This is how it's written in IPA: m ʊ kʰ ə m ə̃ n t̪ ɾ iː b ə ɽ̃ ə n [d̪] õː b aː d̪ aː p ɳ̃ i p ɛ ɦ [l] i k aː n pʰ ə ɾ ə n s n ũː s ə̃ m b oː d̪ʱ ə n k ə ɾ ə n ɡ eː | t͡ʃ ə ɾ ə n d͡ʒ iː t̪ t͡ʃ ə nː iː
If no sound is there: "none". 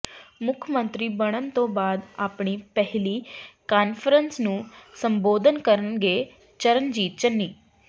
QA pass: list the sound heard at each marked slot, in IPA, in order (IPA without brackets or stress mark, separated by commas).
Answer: t̪, l